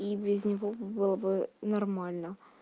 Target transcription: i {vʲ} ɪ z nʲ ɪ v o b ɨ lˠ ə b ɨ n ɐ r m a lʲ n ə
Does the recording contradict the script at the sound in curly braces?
yes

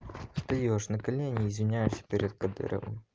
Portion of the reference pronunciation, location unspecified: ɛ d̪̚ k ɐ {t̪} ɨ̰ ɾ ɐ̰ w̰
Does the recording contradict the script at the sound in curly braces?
yes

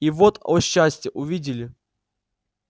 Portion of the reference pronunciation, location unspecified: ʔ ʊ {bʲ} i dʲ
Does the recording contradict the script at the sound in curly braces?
yes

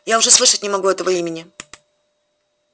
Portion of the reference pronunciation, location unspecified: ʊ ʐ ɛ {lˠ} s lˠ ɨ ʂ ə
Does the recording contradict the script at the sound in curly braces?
yes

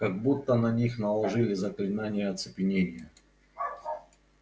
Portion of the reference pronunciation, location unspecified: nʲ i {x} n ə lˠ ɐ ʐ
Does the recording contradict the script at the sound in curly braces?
no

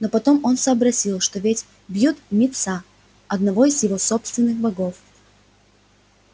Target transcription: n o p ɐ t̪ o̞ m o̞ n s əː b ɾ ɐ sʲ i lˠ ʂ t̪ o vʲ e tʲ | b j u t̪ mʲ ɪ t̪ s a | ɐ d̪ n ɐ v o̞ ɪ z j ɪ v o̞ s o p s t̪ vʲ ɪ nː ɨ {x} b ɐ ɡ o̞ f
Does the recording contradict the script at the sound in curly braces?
no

